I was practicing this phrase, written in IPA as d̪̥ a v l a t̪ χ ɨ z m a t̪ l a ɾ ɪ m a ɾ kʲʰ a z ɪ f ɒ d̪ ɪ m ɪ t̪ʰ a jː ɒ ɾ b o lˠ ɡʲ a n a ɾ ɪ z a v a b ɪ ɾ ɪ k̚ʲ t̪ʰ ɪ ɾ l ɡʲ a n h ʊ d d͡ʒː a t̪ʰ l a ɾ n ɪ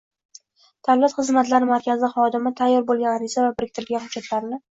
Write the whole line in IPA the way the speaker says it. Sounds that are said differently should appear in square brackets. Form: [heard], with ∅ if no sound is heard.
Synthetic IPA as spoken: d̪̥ a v l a t̪ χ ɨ z m a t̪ l a ɾ ɪ m a ɾ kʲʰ a z ɪ [χ] ɒ d̪ ɪ m ɪ t̪ʰ a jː ɒ ɾ b o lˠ ɡʲ a n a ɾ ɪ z a v a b ɪ ɾ ɪ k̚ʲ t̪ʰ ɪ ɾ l ɡʲ a n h ʊ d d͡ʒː a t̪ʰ l a ɾ n ɪ